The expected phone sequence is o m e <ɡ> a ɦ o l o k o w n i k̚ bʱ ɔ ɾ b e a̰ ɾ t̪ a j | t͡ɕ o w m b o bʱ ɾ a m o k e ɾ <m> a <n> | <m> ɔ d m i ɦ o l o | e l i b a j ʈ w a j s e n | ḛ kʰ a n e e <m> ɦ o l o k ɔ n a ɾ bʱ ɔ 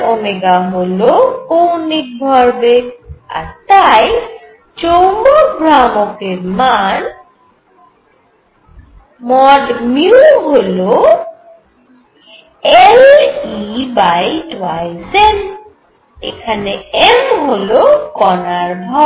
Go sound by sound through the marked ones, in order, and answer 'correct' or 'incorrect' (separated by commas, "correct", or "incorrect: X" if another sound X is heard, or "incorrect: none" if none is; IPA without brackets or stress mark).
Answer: correct, correct, correct, correct, correct